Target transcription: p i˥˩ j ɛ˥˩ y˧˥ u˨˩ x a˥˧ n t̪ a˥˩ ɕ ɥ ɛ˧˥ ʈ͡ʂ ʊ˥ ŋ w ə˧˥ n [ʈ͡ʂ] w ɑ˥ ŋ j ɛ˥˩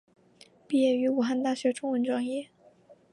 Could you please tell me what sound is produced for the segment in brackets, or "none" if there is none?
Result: ʈ͡ʂ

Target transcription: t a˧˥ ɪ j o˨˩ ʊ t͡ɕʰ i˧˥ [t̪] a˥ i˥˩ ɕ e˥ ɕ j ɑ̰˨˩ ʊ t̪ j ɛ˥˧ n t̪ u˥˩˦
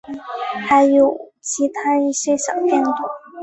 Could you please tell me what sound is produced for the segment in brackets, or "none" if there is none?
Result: t̪ʰ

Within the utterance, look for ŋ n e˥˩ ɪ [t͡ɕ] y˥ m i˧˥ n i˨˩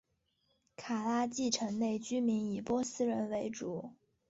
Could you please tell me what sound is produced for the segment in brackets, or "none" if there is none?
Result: t͡ɕ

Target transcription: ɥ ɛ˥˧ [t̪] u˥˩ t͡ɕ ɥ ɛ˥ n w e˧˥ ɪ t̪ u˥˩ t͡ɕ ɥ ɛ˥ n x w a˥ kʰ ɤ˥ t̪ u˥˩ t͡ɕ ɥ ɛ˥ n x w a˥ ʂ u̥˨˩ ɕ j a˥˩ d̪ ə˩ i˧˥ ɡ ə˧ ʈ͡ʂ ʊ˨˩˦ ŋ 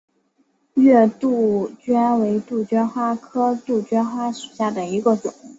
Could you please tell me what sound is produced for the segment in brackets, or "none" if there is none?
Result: t̪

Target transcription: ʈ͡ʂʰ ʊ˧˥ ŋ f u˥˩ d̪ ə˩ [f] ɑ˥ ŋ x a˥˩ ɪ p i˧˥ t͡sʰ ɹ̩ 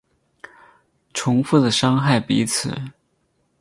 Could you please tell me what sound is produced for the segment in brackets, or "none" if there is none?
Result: ʂ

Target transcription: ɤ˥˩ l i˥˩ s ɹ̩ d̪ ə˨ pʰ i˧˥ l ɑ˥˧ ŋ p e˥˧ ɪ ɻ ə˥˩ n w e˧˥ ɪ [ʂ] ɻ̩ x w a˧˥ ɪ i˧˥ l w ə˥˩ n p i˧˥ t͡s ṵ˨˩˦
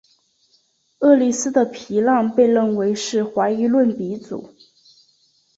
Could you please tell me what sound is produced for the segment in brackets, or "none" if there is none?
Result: ʂ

